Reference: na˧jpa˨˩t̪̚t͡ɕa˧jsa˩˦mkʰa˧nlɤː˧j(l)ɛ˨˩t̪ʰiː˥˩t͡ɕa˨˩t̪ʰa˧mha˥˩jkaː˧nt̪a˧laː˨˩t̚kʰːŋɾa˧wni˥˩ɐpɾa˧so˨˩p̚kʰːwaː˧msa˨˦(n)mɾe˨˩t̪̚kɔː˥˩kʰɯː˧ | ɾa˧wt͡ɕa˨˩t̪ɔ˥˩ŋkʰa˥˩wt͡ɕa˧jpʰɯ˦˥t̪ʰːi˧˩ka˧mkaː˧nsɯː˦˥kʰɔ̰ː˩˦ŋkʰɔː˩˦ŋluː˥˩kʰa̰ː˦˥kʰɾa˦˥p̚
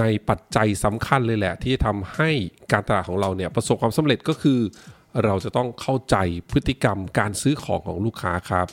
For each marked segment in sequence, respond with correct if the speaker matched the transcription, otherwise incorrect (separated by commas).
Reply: correct, incorrect